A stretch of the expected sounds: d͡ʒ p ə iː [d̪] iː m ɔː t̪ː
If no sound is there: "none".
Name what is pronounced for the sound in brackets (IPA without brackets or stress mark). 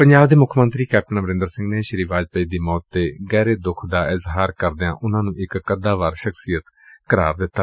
d̪